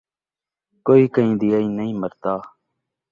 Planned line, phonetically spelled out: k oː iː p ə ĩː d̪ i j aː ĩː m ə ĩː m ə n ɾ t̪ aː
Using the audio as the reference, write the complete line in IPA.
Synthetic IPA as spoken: k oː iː k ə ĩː d̪ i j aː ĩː n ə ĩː m ə ɾ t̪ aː

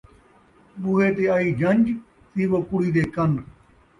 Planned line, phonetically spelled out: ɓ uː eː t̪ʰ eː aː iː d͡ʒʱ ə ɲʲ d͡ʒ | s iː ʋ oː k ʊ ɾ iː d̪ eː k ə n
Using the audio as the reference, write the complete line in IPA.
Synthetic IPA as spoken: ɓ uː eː t̪ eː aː iː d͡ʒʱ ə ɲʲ d͡ʒ | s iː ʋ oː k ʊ ɽ iː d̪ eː k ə n

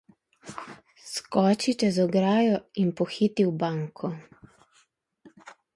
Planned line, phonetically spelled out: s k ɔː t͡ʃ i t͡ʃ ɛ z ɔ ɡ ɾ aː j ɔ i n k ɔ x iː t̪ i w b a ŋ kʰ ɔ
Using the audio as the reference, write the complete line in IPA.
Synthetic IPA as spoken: s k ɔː t͡ʃ i t͡ʃ ɛ z ɔ ɡ ɾ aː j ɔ i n p ɔ x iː t̪ i w b a ŋ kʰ ɔ

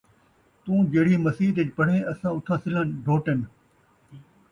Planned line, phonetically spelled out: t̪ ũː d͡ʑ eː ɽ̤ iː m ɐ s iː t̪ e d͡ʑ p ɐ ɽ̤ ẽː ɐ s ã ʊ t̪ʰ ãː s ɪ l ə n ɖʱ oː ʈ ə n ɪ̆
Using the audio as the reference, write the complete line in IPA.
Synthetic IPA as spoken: t̪ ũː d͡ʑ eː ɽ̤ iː m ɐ s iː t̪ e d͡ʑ p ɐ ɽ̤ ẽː ɐ s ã ʊ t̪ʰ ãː s ɪ l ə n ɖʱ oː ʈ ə n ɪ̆

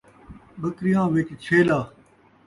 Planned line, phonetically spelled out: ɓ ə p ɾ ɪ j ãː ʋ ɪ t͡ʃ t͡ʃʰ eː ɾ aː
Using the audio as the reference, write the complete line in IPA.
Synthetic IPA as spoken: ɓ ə k ɾ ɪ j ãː ʋ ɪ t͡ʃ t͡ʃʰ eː l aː

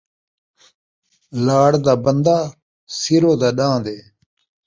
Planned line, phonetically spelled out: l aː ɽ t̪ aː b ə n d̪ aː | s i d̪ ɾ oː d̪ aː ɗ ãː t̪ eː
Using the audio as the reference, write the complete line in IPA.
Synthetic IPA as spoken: l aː ɽ d̪ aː b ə n d̪ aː | s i ɾ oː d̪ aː ɗ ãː d̪ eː

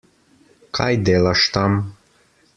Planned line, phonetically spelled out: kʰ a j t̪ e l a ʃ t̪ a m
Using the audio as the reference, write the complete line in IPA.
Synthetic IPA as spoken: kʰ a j d̪ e l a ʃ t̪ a m

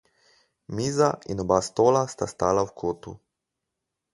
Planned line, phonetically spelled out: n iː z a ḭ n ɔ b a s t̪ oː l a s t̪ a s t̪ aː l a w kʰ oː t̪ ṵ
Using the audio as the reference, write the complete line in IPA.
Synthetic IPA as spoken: m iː z a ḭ n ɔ b a s t̪ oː l a s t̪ a s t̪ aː l a w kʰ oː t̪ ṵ

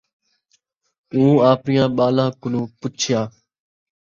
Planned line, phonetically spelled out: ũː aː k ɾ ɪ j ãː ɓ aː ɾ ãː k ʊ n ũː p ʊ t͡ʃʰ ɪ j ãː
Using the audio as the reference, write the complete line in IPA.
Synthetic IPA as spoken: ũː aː p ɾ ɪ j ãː ɓ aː l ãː k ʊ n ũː p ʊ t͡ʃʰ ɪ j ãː

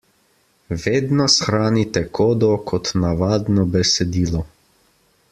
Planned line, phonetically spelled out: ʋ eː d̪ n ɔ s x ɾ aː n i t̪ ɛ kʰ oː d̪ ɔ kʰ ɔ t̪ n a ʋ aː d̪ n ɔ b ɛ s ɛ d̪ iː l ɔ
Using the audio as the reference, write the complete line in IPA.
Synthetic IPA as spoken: ʋ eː d̪ n ɔ s x ɾ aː n i t̪ ɛ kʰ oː d̪ ɔ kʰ ɔ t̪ n a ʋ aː d̪ n ɔ b ɛ s ɛ d̪ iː l ɔ

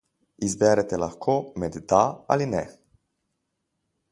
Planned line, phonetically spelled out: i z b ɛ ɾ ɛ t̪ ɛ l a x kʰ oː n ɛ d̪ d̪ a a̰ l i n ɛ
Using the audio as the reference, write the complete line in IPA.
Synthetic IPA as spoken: i z b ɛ ɾ ɛ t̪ ɛ l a x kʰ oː m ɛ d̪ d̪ a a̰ l i n ɛ

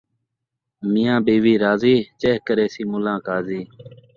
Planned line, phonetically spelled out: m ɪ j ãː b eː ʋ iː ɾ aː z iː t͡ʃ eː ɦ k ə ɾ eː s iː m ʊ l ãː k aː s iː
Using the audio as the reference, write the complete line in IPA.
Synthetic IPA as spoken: m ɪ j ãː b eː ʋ iː ɾ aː z iː t͡ʃ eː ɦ k ə ɾ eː s iː m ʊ l ãː k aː z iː

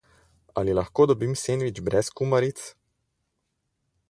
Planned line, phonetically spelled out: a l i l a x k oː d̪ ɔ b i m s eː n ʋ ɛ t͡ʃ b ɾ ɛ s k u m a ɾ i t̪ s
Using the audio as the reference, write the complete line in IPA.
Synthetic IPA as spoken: a l i l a x k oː d̪ ɔ b i m s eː n ʋ i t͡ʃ b ɾ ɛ s k u m a ɾ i t̪ s

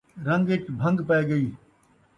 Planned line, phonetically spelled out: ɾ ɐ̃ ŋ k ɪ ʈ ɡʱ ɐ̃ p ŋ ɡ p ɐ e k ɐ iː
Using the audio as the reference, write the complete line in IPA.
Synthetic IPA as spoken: ɾ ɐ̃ ŋ ɡ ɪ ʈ bʱ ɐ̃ ŋ ɡ p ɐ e ɡ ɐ iː

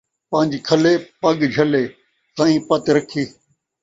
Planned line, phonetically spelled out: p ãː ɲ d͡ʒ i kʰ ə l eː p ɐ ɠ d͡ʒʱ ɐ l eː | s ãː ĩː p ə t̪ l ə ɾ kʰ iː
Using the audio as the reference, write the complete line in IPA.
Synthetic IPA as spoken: p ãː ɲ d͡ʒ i kʰ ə l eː p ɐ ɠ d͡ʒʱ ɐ l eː | s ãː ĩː p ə t̪ ɾ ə kʰ iː

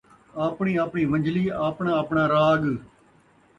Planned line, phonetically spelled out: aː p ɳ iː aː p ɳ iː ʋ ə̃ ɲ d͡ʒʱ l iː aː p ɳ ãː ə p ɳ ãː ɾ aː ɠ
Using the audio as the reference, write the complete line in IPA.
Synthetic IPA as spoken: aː p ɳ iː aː p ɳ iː ʋ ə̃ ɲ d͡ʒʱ l iː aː p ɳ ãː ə p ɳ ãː ɾ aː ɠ

